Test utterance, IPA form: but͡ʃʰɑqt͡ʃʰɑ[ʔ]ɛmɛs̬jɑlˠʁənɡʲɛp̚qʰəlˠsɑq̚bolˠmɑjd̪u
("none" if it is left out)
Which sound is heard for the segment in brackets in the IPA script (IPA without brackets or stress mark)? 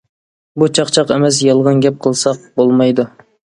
q